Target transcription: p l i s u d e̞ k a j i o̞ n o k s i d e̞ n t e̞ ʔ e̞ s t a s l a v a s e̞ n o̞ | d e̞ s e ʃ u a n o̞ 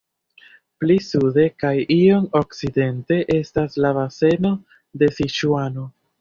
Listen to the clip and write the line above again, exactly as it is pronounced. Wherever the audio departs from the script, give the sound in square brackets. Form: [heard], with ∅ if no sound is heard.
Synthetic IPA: p l i s u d e̞ k a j i o̞ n o k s i d e̞ n t e̞ ʔ e̞ s t a s l a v a s e̞ n o̞ | d e̞ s [i] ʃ u a n o̞